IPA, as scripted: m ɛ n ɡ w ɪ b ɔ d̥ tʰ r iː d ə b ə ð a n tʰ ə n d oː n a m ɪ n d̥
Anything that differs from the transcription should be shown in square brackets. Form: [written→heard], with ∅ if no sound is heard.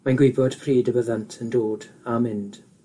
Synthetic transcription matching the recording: m [ɛ→a] n ɡ w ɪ b ɔ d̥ [tʰ→pʰ] r iː d ə b ə ð a n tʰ ə n d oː [n→d] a m ɪ n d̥

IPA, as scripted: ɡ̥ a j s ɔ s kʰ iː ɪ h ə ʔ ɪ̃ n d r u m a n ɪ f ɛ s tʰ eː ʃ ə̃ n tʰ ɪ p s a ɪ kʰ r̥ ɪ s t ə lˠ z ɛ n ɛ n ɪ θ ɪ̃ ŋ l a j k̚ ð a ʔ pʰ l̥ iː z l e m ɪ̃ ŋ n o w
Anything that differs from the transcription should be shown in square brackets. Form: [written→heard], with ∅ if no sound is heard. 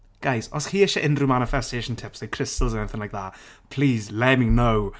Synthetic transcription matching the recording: ɡ̥ a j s ɔ s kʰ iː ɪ [h→ʃ] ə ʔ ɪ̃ n d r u m a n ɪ f ɛ s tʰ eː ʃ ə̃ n tʰ ɪ p s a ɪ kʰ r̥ ɪ s t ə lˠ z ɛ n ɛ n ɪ θ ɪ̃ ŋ l a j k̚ ð a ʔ pʰ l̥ iː z l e m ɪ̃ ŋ n o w

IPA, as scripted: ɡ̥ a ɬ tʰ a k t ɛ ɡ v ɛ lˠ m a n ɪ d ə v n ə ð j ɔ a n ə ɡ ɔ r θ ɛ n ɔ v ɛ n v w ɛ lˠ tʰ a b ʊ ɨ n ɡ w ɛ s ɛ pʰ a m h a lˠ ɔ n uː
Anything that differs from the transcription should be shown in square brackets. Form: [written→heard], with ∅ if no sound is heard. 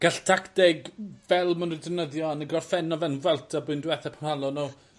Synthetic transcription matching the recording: ɡ̥ a ɬ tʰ a k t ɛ ɡ v ɛ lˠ m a n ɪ d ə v n ə ð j ɔ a n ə ɡ ɔ r [θ→f] ɛ n ɔ v ɛ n v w ɛ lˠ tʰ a b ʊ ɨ n [ɡ→d] w ɛ [s→θ] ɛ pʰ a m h a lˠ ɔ n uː

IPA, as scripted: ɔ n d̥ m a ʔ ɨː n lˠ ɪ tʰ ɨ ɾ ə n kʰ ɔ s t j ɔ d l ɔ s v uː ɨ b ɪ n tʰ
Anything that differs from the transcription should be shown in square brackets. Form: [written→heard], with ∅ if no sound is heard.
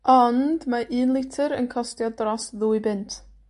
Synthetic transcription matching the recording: ɔ n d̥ m a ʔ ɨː n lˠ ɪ tʰ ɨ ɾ ə n kʰ ɔ s t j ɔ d [l→r] ɔ s [v→ð] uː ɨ b ɪ n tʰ

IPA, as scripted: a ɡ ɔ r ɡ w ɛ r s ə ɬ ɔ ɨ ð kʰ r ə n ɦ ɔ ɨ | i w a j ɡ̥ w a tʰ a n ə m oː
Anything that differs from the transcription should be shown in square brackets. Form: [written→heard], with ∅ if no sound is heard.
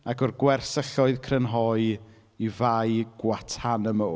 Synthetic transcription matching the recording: a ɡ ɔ r ɡ w ɛ r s ə ɬ ɔ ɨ ð kʰ r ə n ɦ ɔ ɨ | i [w→v] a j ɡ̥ w a tʰ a n ə m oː

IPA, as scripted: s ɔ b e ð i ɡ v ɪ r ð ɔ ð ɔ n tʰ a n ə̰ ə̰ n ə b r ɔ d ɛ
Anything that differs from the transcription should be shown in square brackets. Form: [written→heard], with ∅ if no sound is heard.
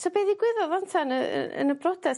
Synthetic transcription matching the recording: s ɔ b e ð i ɡ [v→w] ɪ [r→∅] ð ɔ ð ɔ n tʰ a n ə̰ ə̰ n ə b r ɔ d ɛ

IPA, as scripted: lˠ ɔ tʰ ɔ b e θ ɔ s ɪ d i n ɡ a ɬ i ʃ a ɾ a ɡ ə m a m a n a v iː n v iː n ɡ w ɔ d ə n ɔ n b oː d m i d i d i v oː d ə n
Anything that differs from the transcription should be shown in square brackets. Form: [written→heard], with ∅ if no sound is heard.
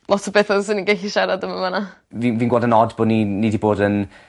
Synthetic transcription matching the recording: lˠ ɔ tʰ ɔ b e θ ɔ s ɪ [d→n] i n ɡ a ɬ i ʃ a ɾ a [ɡ→d] ə m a m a n a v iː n v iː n ɡ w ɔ d ə n ɔ [n→d] b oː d [m→n] i [d→n] i d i [v→b] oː d ə n

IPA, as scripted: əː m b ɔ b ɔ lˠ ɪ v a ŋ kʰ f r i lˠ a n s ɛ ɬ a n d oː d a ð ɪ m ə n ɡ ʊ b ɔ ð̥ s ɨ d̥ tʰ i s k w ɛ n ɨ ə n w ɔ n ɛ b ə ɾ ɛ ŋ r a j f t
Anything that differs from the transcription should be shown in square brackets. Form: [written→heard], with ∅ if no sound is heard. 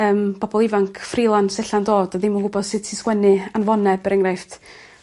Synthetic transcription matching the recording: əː m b ɔ b ɔ lˠ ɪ v a ŋ kʰ f r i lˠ a n s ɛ ɬ a n d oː d a ð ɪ m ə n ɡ ʊ b ɔ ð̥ s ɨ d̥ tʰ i s k w ɛ n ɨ [ə→a] n [w→v] ɔ n ɛ b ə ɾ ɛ ŋ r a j f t

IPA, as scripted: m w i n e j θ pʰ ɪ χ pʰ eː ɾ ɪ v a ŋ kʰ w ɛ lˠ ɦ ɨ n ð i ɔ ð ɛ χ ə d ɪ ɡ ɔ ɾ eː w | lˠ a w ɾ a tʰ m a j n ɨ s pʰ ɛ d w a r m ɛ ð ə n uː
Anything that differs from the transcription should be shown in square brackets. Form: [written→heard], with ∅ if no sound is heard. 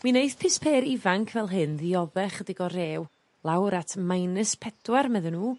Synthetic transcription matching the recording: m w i n e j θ pʰ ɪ [χ→s] pʰ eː ɾ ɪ v a ŋ kʰ [w→v] ɛ lˠ ɦ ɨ n ð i ɔ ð ɛ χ ə d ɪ ɡ ɔ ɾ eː w | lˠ a w ɾ a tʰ m a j n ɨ s pʰ ɛ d w a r m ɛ ð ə n uː

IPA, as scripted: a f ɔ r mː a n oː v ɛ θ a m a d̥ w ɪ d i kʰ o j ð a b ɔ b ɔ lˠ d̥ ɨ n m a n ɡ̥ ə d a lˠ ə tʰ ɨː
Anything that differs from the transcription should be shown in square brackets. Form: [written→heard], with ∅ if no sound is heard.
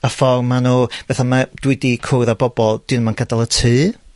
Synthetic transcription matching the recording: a f ɔ r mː a n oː v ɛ θ a m a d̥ w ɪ d i kʰ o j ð a b ɔ b ɔ lˠ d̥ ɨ n m a n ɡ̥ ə d a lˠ ə tʰ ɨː

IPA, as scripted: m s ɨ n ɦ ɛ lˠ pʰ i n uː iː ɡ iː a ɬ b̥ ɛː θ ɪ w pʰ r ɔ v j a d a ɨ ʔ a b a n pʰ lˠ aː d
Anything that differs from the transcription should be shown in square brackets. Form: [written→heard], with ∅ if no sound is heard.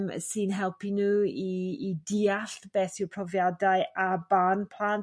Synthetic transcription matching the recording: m s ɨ n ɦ ɛ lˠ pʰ i n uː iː [ɡ→d] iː a ɬ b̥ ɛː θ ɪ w pʰ r ɔ v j a d a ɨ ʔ a b a n pʰ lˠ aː [d→n]

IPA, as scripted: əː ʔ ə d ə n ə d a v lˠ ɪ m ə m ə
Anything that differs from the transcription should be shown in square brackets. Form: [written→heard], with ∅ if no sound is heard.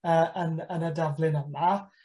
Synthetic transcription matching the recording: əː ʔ ə [d→n] ə n ə d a v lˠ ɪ [m→n] ə m [ə→a]

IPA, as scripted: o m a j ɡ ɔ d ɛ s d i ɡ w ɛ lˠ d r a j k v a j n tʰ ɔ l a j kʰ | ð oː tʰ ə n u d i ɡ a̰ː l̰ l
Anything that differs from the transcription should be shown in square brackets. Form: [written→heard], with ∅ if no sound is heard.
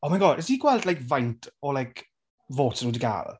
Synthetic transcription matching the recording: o m a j ɡ ɔ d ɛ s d i ɡ w ɛ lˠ d [r→l] a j k v a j n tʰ ɔ l a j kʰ | [ð→v] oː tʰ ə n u d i ɡ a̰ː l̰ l

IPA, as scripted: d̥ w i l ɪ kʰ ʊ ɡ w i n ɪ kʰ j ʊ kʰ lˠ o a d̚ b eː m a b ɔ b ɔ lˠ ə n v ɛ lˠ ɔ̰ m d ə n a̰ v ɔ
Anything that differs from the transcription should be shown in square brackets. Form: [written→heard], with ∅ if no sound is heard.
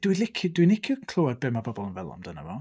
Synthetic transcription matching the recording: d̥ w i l ɪ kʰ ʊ [ɡ→d] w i n ɪ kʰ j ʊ kʰ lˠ o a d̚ b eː m a b ɔ b ɔ lˠ ə n v ɛ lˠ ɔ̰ m d ə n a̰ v ɔ

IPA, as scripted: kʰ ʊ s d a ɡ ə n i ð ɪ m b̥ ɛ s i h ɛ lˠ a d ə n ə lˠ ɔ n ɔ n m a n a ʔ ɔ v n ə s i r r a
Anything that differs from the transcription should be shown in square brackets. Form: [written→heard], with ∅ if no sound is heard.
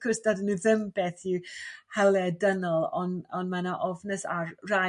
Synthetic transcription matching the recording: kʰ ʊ s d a [ɡ→d] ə n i ð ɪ m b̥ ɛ [s→θ] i h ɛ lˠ [a→ɛ] d ə n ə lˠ ɔ n ɔ n m a n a ʔ ɔ v n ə s [i→a] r r a

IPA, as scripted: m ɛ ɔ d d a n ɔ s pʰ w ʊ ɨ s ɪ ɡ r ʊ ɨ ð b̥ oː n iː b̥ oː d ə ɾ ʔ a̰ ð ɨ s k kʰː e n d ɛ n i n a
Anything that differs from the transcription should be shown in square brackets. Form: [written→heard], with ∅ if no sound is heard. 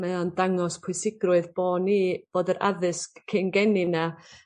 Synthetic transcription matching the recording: m ɛ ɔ [d→n] d a [n→ŋ] ɔ s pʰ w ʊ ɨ s ɪ ɡ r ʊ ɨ ð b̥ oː n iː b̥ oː d ə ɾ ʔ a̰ ð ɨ s k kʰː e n [d→ɡ] ɛ n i n a

